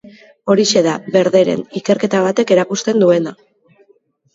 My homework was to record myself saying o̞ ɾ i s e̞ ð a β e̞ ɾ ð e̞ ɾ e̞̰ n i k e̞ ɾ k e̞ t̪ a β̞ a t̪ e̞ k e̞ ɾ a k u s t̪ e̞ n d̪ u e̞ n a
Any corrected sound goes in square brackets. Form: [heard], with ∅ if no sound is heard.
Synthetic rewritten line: o̞ ɾ i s e̞ ð a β e̞ ɾ ð e̞ ɾ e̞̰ n i k e̞ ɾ k e̞ t̪ a β̞ a t̪ e̞ k e̞ ɾ a k u s t̪ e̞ n d̪ u e̞ n a